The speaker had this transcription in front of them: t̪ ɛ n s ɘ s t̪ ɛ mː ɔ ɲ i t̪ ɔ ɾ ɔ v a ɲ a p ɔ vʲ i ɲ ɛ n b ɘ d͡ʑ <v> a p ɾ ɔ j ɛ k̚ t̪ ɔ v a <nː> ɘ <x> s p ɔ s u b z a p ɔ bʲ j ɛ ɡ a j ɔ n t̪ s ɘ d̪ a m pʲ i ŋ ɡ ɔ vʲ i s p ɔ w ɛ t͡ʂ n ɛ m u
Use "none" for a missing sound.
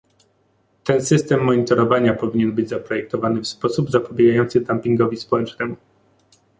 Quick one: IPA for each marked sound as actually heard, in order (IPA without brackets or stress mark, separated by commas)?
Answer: z, n, f